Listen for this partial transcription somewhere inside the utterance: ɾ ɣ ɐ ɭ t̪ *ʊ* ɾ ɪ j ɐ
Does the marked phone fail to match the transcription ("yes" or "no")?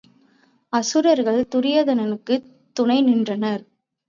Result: no